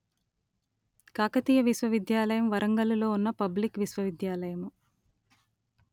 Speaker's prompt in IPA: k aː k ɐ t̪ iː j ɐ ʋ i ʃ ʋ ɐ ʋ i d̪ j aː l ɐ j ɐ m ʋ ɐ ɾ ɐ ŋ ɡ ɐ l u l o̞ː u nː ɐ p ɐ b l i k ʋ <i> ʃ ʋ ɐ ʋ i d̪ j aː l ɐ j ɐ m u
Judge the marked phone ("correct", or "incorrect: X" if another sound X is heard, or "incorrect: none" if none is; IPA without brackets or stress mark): correct